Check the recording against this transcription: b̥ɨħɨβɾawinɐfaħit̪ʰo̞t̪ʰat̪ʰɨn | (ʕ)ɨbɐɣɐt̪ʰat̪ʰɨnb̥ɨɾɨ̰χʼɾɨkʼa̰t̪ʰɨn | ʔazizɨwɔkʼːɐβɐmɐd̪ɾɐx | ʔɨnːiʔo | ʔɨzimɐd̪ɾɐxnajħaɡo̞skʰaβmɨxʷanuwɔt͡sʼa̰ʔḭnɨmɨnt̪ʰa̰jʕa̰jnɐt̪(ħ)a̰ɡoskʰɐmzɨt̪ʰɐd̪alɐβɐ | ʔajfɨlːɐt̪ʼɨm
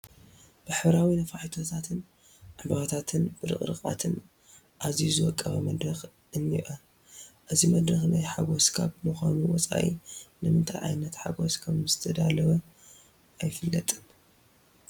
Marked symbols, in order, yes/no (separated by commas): yes, yes